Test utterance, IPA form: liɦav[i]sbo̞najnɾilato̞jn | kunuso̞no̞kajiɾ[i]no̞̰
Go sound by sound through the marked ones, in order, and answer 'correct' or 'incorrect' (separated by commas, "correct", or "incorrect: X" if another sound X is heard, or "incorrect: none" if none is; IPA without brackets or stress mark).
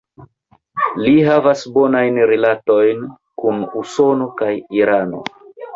incorrect: a, incorrect: a